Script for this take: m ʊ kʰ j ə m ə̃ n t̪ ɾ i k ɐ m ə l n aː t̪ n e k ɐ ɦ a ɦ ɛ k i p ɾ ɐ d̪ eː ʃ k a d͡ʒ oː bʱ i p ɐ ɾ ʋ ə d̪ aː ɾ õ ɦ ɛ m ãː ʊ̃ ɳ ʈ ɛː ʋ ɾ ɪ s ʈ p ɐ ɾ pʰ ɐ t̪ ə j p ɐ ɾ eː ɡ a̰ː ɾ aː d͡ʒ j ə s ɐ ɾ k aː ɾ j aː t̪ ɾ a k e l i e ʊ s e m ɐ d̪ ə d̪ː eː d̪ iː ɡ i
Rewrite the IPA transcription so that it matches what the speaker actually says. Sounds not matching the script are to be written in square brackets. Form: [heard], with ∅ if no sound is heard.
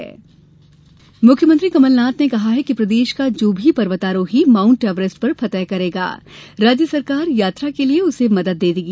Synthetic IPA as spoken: m ʊ kʰ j ə m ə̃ n t̪ ɾ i k ɐ m ə l n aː t̪ n e k ɐ ɦ a ɦ ɛ k i p ɾ ɐ d̪ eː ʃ k a d͡ʒ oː bʱ i p ɐ ɾ ʋ ə [t̪] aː ɾ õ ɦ [i] m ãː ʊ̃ ɳ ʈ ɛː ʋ ɾ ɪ s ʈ p ɐ ɾ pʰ ɐ t̪ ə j [k] ɐ ɾ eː ɡ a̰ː ɾ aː d͡ʒ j ə s ɐ ɾ k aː ɾ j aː t̪ ɾ a k e l i e ʊ s e m ɐ d̪ ə d̪ː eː d̪ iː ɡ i